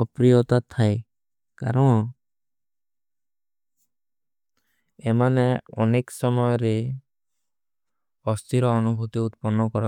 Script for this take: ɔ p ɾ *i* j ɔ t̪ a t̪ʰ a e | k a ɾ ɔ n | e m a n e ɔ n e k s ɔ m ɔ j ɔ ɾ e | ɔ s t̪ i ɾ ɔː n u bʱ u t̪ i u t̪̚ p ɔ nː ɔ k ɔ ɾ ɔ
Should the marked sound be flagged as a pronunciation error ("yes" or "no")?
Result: no